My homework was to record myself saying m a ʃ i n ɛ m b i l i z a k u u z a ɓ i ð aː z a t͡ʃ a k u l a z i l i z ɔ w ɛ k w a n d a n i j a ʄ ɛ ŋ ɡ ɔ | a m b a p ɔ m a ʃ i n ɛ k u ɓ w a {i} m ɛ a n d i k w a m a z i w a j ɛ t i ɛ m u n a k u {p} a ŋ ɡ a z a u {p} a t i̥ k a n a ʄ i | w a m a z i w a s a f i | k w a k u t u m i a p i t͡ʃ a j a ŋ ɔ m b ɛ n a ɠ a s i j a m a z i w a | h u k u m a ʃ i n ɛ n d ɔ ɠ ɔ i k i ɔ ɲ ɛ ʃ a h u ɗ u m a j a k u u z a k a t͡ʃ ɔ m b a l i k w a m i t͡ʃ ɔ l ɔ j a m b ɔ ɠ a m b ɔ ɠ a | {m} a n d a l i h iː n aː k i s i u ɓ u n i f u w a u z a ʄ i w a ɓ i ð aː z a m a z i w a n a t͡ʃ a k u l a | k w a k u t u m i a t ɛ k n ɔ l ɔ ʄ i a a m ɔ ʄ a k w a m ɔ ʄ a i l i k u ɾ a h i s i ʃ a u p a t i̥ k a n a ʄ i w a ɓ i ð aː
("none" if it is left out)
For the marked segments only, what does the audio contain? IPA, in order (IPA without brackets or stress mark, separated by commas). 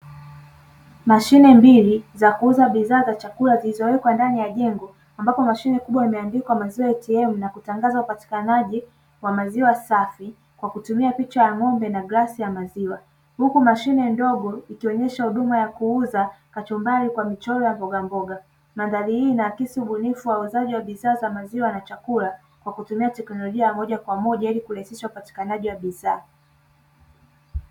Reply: i, t, p, m